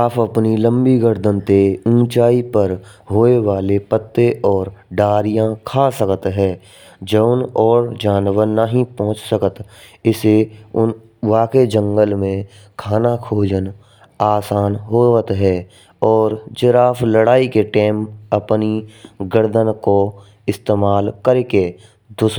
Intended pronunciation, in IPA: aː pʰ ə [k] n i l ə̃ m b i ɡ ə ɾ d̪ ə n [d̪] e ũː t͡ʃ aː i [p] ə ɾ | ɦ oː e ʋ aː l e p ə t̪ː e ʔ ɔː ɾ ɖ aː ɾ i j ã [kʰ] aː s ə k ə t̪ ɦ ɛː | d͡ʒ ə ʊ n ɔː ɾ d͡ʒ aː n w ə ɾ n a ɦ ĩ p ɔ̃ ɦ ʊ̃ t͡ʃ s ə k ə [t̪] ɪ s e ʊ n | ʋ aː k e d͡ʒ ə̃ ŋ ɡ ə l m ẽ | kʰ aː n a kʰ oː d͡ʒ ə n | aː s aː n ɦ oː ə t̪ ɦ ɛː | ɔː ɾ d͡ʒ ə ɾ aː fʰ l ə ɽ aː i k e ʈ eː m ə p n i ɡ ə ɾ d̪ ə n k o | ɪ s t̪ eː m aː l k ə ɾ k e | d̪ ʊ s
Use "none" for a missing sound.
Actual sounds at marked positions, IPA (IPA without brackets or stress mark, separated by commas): p, t̪, p, kʰ, t̪